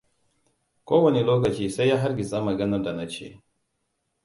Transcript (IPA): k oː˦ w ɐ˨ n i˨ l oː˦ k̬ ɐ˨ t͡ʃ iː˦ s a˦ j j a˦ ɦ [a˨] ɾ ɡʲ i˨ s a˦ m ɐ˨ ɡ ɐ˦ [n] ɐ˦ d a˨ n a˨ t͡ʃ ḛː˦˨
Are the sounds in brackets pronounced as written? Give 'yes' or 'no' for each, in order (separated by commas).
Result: no, yes